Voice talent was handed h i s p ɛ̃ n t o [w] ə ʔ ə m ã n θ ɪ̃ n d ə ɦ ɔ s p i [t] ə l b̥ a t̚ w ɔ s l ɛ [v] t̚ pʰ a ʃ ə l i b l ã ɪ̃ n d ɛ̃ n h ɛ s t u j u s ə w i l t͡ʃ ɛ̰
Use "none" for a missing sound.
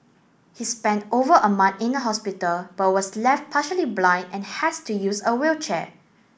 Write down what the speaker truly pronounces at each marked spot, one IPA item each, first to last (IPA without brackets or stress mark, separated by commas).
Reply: v, t, f